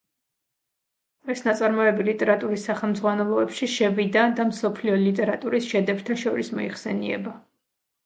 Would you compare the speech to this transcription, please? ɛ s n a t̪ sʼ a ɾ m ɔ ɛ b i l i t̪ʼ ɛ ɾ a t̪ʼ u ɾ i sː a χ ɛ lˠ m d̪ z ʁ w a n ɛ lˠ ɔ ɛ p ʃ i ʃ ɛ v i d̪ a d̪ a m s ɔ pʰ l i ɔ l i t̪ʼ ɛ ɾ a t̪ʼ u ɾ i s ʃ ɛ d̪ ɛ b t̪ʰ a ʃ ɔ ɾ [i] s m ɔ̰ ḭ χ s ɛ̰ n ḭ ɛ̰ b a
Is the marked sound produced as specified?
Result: yes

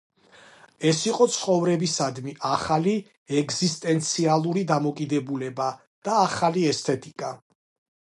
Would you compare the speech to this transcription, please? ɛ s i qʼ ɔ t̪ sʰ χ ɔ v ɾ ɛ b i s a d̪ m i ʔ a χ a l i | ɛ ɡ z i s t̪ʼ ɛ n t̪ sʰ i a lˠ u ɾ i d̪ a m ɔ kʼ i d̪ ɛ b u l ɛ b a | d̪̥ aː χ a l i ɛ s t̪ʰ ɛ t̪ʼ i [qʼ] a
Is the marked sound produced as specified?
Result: no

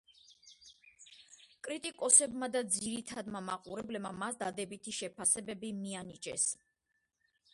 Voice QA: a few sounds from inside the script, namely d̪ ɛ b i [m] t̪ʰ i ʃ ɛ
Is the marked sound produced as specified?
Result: no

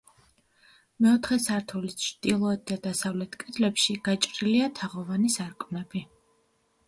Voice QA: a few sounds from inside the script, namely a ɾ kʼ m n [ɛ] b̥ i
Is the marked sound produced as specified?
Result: yes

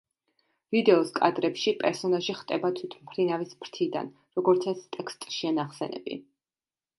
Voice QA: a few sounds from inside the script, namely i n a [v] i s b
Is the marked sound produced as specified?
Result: yes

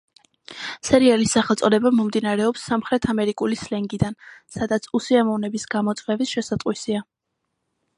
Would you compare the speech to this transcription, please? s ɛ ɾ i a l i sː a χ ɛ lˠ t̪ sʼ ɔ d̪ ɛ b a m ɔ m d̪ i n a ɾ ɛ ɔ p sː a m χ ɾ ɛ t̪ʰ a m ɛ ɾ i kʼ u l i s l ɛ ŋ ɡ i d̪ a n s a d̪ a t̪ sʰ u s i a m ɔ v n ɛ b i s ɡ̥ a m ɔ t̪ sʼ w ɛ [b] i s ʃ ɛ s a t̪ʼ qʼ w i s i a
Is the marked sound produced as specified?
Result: no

